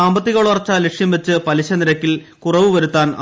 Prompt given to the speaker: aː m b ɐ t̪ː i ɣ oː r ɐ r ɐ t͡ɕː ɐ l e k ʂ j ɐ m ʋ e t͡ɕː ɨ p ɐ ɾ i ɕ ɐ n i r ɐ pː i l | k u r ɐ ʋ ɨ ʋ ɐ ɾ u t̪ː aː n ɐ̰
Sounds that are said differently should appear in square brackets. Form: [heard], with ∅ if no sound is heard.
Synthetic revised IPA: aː m b ɐ t̪ː i ɣ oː [ɭ] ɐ r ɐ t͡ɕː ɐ l e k ʂ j ɐ m ʋ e t͡ɕː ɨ p ɐ [l] i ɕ ɐ n i [ɾ] ɐ [kː] i l | k u r ɐ ʋ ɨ ʋ ɐ ɾ u t̪ː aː n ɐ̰